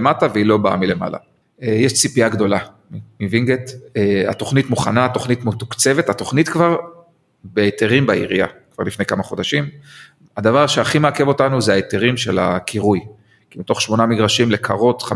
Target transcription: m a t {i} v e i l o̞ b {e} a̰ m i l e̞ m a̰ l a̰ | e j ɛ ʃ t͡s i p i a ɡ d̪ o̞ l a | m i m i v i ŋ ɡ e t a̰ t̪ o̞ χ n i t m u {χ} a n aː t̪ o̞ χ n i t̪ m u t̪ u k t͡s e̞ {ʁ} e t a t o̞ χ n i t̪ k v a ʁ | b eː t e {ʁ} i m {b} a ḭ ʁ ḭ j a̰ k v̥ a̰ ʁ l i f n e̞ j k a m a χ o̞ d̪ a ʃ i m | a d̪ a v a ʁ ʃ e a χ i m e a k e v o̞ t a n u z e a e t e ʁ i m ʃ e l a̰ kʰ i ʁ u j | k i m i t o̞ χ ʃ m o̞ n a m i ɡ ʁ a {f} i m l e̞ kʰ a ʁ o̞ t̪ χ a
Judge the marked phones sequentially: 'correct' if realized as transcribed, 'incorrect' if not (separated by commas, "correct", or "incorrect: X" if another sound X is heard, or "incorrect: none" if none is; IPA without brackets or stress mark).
incorrect: a, incorrect: a, correct, incorrect: v, correct, correct, incorrect: ʃ